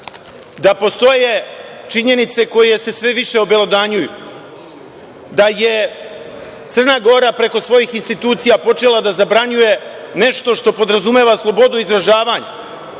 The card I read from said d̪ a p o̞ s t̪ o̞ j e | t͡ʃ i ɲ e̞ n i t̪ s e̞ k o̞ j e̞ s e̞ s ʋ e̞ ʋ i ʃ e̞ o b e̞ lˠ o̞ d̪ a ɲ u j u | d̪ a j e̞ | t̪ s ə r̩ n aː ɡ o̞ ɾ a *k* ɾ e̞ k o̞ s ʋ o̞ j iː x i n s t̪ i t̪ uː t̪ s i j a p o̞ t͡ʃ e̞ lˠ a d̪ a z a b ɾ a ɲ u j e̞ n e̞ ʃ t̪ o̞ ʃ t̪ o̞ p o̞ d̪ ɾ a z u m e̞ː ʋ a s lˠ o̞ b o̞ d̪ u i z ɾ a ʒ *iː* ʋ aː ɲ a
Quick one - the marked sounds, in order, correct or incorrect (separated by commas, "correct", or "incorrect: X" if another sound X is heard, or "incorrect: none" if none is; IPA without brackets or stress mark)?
incorrect: p, incorrect: aː